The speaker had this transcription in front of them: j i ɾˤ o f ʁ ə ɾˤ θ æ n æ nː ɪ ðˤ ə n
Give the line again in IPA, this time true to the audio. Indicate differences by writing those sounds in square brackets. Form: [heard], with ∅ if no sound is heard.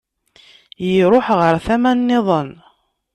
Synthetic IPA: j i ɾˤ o [ħ] ʁ ə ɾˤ θ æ [m] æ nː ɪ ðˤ ə n